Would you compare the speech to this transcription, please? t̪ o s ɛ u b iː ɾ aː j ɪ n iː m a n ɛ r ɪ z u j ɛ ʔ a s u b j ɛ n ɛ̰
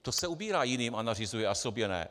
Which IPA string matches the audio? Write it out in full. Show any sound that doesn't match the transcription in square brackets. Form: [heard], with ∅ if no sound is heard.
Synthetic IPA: t̪ o s ɛ u b iː ɾ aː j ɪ n iː m a n [a] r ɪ z u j ɛ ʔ a s [o] b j ɛ n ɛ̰